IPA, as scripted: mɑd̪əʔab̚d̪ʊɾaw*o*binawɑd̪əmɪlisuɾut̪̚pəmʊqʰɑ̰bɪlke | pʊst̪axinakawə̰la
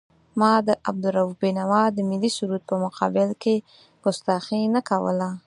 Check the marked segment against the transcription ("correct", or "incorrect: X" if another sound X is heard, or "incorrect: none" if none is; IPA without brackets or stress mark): incorrect: u